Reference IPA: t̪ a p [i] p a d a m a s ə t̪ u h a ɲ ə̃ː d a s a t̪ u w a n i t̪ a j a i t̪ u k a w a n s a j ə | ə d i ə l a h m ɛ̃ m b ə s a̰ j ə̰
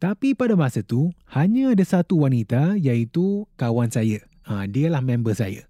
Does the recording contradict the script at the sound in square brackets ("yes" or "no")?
no